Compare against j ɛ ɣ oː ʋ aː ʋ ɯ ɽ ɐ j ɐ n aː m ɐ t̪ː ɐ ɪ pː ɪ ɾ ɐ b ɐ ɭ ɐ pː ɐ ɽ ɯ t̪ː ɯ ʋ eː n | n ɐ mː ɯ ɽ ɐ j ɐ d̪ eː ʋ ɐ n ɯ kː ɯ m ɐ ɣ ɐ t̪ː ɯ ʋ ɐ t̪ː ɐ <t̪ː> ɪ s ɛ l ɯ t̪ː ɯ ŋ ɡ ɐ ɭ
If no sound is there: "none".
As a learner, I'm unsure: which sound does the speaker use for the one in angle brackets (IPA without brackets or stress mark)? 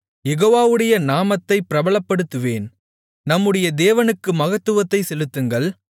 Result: none